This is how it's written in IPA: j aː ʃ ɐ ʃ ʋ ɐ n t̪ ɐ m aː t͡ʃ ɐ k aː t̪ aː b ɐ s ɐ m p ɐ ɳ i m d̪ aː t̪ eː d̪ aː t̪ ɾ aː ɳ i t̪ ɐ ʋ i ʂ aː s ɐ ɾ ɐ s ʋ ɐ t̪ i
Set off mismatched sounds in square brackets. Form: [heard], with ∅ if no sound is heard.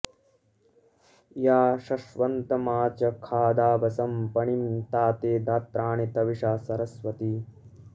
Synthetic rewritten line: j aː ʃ ɐ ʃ ʋ ɐ n t̪ ɐ m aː t͡ʃ ɐ [kʰ] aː [d̪] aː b ɐ s ɐ m p ɐ ɳ i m [t̪] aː t̪ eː d̪ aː t̪ ɾ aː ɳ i t̪ ɐ ʋ i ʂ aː s ɐ ɾ ɐ s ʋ ɐ t̪ i